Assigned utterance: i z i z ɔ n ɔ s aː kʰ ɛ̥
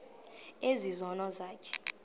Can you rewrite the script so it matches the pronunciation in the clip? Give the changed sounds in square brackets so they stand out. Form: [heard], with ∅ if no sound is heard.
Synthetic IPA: [e] z i z ɔ n ɔ [z] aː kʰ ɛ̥